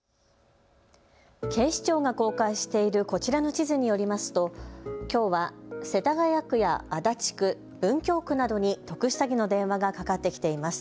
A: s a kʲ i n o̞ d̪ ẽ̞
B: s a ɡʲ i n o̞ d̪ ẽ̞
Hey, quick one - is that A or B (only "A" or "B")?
B